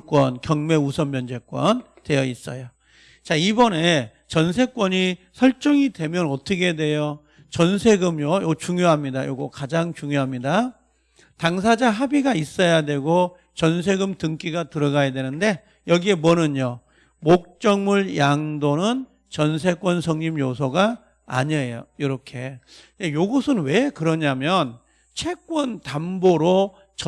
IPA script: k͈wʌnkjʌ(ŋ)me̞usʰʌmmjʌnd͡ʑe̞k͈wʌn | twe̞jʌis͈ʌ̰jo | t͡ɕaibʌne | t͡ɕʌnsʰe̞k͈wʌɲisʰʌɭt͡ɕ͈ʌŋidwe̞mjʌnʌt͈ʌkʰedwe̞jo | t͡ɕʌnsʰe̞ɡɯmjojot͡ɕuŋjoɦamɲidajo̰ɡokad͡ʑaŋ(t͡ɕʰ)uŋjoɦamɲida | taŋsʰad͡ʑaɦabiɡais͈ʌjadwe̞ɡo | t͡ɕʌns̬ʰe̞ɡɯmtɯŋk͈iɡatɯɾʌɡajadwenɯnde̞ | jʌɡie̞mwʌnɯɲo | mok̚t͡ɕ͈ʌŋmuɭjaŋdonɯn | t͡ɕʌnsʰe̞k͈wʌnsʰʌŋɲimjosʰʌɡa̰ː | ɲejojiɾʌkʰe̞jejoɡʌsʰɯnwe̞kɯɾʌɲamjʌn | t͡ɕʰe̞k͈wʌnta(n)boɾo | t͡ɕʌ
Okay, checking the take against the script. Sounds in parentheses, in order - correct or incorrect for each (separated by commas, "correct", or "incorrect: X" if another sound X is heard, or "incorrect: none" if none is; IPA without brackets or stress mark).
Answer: correct, incorrect: t͡ɕ, incorrect: m